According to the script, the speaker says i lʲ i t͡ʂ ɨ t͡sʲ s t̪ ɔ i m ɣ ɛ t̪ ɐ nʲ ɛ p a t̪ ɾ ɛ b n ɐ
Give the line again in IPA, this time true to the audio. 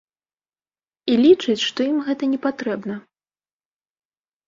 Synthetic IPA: i lʲ i t͡ʂ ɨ t͡sʲ ʂ t̪ ɔ i m ɣ ɛ t̪ ɐ nʲ ɛ p a t̪ ɾ ɛ b n ɐ